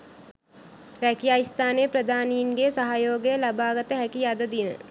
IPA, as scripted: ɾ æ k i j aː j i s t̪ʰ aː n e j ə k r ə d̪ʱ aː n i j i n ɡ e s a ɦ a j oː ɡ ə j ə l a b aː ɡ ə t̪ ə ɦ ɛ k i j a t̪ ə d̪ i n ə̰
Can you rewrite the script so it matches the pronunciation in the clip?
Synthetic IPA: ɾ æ k i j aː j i s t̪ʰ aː n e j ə p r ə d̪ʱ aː n i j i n ɡ e s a ɦ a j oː ɡ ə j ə l a b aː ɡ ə t̪ ə ɦ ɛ k i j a d̪ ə d̪ i n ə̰